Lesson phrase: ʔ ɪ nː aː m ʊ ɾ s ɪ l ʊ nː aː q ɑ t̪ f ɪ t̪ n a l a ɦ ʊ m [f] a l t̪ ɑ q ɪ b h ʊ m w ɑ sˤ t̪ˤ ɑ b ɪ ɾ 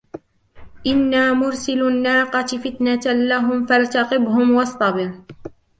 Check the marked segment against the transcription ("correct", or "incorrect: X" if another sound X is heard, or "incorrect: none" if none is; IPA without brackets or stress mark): correct